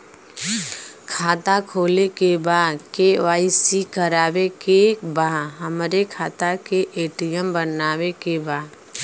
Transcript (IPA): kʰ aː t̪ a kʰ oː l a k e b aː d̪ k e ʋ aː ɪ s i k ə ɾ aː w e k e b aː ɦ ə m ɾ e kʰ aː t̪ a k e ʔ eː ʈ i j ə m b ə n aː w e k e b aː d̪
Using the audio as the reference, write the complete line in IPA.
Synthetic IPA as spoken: kʰ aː t̪ a kʰ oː l e k e b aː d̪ k e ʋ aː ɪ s i k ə ɾ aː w e k e b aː ɦ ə m ɾ e kʰ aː t̪ a k e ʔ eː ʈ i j ə m b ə n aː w e k e b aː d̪